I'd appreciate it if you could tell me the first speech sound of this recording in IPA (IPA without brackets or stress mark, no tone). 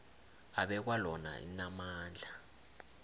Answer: a